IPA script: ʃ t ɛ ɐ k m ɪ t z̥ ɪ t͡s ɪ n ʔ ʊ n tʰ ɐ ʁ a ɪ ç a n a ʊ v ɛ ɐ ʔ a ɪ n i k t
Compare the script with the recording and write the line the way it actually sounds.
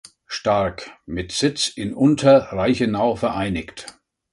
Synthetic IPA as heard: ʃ t a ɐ k m ɪ t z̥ ɪ t͡s ɪ n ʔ ʊ n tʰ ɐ ʁ a ɪ ç ə n a ʊ f ɛ ɐ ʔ a ɪ n ɪ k t

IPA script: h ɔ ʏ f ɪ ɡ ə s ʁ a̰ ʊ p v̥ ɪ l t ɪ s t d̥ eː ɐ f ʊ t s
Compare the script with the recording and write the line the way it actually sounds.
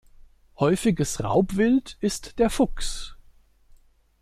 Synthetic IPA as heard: h ɔ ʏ f ɪ ɡ ə s ʁ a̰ ʊ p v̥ ɪ l t ɪ s t d̥ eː ɐ f ʊ k s

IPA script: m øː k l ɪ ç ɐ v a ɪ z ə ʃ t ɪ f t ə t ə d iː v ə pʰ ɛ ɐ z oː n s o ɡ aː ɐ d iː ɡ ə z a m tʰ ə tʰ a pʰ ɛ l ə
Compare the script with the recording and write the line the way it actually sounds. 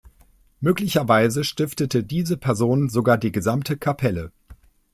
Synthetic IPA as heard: m øː k l ɪ ç ɐ v a ɪ z ə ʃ t ɪ f t ə t ə d iː z ə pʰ ɛ ɐ z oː n z o ɡ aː ɐ d iː ɡ ə z a m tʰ ə kʰ a pʰ ɛ l ə

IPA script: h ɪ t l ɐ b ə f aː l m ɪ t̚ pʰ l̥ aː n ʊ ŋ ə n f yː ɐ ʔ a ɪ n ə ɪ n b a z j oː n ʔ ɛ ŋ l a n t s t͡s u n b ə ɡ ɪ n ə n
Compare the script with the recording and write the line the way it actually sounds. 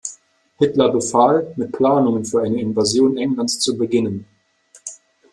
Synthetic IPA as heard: h ɪ t l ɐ b ə f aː l m ɪ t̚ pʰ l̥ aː n ʊ ŋ ə n f yː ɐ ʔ a ɪ n ə ɪ n v a z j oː n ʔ ɛ ŋ l a n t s t͡s u b ə ɡ ɪ n ə n

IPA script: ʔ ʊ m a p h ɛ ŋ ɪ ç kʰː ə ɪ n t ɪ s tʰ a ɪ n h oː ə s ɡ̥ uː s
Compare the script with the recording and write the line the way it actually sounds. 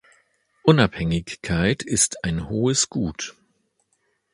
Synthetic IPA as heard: ʔ ʊ n a p h ɛ ŋ ɪ ç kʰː a ɪ t ɪ s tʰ a ɪ n h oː ə s ɡ̥ uː t

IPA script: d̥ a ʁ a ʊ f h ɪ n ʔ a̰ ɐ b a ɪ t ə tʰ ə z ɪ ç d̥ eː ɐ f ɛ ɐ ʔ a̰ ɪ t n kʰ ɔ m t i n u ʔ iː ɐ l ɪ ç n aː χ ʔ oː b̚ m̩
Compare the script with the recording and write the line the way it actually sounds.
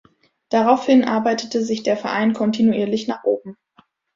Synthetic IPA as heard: d̥ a ʁ a ʊ f h ɪ n ʔ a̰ ɐ b a ɪ t ə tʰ ə z ɪ ç d̥ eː ɐ f ɛ ɐ ʔ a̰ ɪ n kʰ ɔ n t i n u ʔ iː ɐ l ɪ ç n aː χ ʔ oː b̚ m̩

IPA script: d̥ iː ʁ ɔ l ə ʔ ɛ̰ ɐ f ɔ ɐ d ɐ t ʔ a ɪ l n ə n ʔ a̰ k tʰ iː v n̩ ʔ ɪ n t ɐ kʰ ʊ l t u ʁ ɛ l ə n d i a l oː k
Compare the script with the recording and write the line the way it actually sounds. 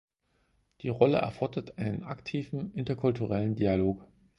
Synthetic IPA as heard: d̥ iː ʁ ɔ l ə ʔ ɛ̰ ɐ f ɔ ɐ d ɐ t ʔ a ɪ n ə n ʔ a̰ k tʰ iː v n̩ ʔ ɪ n t ɐ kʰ ʊ l t u ʁ ɛ l ə n d i a l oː k

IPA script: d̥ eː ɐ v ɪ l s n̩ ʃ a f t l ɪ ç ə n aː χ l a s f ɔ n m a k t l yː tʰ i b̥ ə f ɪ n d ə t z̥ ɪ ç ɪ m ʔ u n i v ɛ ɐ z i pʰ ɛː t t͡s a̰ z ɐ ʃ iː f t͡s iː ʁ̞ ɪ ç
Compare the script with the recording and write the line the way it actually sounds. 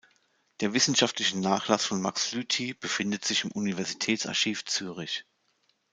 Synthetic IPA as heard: d̥ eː ɐ v ɪ s n̩ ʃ a f t l ɪ ç ə n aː χ l a s f ɔ n m a k s l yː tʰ i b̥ ə f ɪ n d ə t z̥ ɪ ç ɪ m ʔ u n i v ɛ ɐ z i tʰ ɛː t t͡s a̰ ɐ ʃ iː f t͡s yː ʁ̞ ɪ ç

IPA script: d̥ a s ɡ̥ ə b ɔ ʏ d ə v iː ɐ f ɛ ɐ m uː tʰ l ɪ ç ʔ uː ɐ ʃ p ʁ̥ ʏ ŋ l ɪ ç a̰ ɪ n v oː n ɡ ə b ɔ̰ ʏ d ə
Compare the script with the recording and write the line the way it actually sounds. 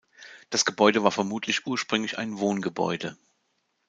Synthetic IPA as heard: d̥ a s ɡ̥ ə b ɔ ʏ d ə v aː ɐ f ɛ ɐ m uː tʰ l ɪ ç ʔ uː ɐ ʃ p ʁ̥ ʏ ŋ l ɪ ç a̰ ɪ n v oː n ɡ ə b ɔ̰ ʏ d ə

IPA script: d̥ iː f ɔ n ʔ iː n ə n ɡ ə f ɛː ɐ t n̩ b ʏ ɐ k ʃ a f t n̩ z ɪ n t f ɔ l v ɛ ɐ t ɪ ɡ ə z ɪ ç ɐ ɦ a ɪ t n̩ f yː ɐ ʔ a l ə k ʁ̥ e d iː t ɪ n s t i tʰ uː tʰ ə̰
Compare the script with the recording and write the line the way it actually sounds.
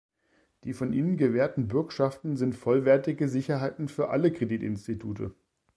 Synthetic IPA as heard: d̥ iː f ɔ n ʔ iː n ə n ɡ ə v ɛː ɐ t n̩ b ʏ ɐ k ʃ a f t n̩ z ɪ n t f ɔ l v ɛ ɐ t ɪ ɡ ə z ɪ ç ɐ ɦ a ɪ t n̩ f yː ɐ ʔ a l ə k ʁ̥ e d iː t ɪ n s t i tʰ uː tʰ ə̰

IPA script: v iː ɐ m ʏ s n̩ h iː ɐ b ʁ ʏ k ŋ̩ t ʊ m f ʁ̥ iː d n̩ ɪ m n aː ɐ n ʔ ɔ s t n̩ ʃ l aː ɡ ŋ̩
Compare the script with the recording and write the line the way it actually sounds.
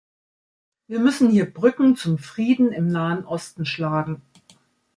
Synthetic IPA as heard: v iː ɐ m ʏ s n̩ h iː ɐ b ʁ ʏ k ŋ̩ t͡s ʊ m f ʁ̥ iː d n̩ ɪ m n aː ə n ʔ ɔ s t n̩ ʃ l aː ɡ ŋ̩

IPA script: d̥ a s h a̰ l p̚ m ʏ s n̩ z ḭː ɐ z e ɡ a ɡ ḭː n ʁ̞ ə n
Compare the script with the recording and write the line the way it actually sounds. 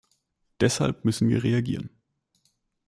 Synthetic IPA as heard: d̥ ɛ s h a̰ l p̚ m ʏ s n̩ v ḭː ɐ ʁ e a ɡ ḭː ʁ̞ ə n

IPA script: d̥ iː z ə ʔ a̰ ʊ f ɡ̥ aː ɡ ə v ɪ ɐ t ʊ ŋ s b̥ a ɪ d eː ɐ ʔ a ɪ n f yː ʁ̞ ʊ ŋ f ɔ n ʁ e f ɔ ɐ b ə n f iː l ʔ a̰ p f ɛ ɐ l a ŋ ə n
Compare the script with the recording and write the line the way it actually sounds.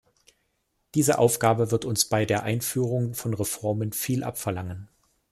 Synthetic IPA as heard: d̥ iː z ə ʔ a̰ ʊ f ɡ̥ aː b ə v ɪ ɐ t ʊ n s b̥ a ɪ d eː ɐ ʔ a ɪ n f yː ʁ̞ ʊ ŋ f ɔ n ʁ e f ɔ ɐ m ə n f iː l ʔ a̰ p f ɛ ɐ l a ŋ ə n

